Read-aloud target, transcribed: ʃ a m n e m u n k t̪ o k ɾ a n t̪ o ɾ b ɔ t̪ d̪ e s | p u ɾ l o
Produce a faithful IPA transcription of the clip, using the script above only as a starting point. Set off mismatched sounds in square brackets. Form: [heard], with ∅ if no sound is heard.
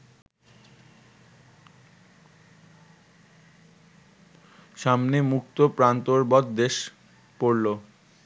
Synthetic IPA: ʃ a m n e m u [∅] k t̪ o [p] ɾ a n t̪ o ɾ b ɔ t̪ d̪ e [ʃ] | p [o] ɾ l o